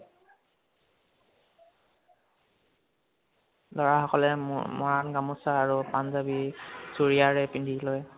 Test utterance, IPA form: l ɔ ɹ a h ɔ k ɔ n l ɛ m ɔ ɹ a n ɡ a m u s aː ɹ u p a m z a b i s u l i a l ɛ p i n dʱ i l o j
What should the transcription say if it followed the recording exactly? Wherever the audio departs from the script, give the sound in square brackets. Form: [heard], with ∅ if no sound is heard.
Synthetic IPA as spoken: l ɔ ɹ a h ɔ k ɔ [∅] l ɛ m ɔ ɹ a n ɡ a m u s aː ɹ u p a [n] z a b i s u [ɹ] i a [ɹ] ɛ p i n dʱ i l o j

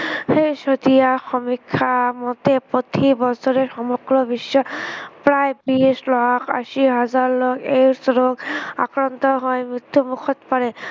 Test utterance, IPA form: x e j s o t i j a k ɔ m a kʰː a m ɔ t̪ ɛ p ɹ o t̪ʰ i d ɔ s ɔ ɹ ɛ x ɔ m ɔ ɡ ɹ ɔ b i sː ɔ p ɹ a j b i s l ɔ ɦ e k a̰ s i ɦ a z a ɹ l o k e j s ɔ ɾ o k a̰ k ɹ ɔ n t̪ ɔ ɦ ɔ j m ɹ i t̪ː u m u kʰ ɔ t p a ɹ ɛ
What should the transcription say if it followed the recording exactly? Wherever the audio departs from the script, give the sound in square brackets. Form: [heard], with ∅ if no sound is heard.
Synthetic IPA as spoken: x e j s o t i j a [x] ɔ m [i] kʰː a m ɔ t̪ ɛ p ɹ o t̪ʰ i [b] ɔ s ɔ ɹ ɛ x ɔ m ɔ ɡ ɹ ɔ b i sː ɔ p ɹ a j b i s l ɔ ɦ [a] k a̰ s i ɦ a z a ɹ l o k e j s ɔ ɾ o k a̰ k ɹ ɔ n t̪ ɔ ɦ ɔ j m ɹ i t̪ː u m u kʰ ɔ t p a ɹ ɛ

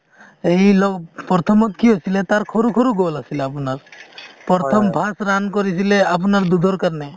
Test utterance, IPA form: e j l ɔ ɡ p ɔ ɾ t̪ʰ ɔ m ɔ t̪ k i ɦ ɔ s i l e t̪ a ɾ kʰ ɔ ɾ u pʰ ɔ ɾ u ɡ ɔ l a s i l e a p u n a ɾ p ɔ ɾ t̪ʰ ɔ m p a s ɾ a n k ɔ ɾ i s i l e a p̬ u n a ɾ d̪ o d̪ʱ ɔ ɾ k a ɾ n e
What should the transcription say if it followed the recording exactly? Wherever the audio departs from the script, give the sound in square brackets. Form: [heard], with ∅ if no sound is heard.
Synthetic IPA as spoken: e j l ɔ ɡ p ɔ ɾ t̪ʰ ɔ m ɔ t̪ k i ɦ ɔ s i l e t̪ a ɾ kʰ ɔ ɾ u [kʰ] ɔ ɾ u ɡ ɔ l a s i l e a p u n a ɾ p ɔ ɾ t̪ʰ ɔ m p a s ɾ a n k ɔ ɾ i s i l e a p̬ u n a ɾ d̪ [u] d̪ʱ ɔ ɾ k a ɾ n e

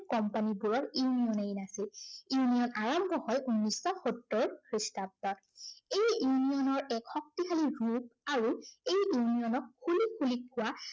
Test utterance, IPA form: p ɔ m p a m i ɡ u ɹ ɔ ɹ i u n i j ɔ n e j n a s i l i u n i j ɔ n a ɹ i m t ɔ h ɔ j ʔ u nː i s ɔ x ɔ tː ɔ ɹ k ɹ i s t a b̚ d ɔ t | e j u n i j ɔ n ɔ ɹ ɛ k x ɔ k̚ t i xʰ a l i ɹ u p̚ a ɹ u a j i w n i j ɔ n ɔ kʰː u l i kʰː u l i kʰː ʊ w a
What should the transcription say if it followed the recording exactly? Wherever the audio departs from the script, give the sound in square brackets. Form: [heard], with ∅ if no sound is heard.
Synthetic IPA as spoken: [k] ɔ m p a [n] i [b] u ɹ ɔ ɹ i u n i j ɔ n e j n a s i l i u n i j ɔ n a ɹ [a] m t ɔ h ɔ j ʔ u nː i s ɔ x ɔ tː ɔ ɹ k ɹ i s t a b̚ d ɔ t | e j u n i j ɔ n ɔ ɹ ɛ k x ɔ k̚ t i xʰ a l i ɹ u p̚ a ɹ u [e] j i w n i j ɔ n ɔ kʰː u l i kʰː u l i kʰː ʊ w a

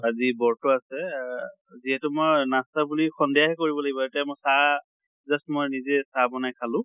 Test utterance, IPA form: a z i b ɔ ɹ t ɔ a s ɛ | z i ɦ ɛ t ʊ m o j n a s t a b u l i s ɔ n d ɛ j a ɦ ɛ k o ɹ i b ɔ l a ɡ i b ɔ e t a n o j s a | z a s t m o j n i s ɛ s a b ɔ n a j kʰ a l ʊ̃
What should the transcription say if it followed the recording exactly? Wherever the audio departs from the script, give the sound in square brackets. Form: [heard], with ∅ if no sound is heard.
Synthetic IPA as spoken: a z i b ɔ ɹ t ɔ a s ɛ | z i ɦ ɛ t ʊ m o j n a s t a b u l i [x] ɔ n d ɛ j a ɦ ɛ k o ɹ i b ɔ l a ɡ i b ɔ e t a [m] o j s a | z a s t m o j n i [z] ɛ s a b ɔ n a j kʰ a l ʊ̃

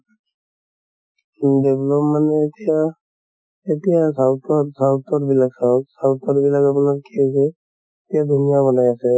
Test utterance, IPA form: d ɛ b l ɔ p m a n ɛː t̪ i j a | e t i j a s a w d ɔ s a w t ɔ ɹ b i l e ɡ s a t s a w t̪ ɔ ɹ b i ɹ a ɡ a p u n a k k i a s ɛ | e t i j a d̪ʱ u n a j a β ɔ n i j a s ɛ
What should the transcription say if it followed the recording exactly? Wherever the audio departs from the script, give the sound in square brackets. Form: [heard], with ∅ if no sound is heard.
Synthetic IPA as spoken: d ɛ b l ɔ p m a n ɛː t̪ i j a | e t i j a s a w [t] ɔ s a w t ɔ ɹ b i l [a] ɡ s a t s a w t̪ ɔ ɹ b i [l] a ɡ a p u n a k k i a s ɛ | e t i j a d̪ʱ u n [i] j a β ɔ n [a] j a s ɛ

